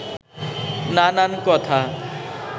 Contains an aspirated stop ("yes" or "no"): yes